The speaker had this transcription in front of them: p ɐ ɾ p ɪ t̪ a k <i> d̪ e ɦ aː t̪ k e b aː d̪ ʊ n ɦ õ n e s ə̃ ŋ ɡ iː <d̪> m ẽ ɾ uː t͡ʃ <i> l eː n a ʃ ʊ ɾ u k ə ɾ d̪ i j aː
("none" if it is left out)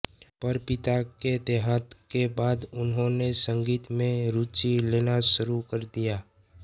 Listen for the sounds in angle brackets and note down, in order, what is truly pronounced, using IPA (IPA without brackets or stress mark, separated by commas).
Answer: e, t̪, i